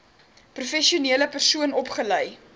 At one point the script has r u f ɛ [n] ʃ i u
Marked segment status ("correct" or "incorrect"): incorrect